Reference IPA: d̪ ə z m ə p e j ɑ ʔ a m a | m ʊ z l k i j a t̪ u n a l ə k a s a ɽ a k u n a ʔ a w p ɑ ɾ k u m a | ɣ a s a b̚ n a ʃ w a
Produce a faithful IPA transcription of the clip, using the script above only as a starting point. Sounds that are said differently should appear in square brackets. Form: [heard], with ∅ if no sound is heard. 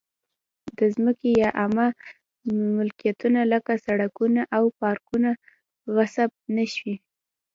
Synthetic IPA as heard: d̪ ə z m ə [k] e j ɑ ʔ a m a | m ʊ [∅] l k i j a t̪ u n a l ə k a s a ɽ a k u n a ʔ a w p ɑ ɾ k u [n] a | ɣ a s a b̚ n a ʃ w [i]